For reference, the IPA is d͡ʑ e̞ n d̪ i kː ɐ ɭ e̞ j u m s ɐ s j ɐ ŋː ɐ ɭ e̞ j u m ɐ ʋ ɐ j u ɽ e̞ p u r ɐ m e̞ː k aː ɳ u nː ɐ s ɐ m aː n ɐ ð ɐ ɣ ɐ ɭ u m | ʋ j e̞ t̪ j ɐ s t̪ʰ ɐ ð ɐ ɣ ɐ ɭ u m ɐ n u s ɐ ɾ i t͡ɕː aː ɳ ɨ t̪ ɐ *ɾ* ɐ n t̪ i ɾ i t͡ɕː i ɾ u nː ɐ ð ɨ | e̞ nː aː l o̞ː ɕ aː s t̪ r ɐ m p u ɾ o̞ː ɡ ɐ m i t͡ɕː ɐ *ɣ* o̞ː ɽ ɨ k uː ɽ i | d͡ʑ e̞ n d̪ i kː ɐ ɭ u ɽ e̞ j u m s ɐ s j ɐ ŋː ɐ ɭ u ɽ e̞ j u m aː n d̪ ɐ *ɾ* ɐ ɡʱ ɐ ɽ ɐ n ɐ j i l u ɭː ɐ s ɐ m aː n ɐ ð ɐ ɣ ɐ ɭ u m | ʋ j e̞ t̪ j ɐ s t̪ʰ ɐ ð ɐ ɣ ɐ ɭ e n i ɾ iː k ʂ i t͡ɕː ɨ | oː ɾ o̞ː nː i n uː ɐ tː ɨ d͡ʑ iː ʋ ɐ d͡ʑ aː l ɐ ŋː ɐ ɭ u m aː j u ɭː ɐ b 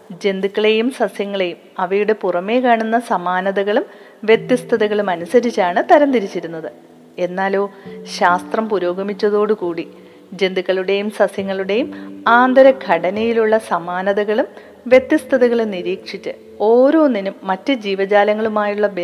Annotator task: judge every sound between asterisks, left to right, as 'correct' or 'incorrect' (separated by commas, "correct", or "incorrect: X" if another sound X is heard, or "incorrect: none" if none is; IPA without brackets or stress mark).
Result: correct, incorrect: ð, correct